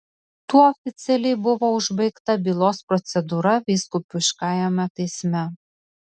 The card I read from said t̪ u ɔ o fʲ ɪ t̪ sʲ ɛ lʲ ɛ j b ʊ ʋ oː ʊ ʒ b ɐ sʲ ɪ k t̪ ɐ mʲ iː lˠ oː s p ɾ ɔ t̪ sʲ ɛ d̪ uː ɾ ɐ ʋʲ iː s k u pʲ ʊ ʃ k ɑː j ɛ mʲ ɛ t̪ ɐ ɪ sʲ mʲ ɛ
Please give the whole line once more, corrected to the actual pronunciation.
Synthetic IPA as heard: t̪ u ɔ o fʲ ɪ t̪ sʲ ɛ lʲ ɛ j b ʊ ʋ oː ʊ ʒ b ɐ ɪ k t̪ ɐ bʲ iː lˠ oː s p ɾ ɔ t̪ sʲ ɛ d̪ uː ɾ ɐ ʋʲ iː s k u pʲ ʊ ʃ k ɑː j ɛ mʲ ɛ t̪ ɐ ɪ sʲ mʲ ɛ